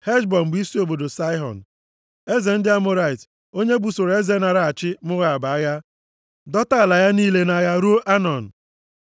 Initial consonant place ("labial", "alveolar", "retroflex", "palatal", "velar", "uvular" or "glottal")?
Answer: glottal